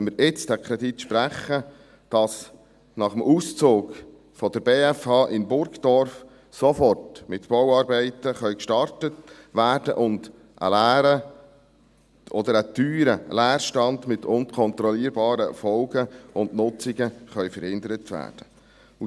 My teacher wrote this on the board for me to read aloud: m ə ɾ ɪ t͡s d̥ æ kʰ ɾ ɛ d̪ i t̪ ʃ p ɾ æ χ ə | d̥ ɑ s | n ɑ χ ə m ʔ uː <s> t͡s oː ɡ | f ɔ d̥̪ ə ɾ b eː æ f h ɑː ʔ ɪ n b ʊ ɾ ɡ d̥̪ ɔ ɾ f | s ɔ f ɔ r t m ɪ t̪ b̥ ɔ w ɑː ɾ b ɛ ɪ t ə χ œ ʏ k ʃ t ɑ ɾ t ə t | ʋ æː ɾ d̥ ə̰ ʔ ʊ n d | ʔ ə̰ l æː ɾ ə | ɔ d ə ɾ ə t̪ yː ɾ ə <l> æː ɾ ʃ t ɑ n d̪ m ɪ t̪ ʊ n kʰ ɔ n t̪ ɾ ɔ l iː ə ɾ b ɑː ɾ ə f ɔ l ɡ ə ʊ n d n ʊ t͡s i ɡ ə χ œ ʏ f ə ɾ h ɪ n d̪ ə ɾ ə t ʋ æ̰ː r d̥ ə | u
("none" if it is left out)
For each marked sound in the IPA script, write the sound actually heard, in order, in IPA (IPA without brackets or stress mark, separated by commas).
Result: s, l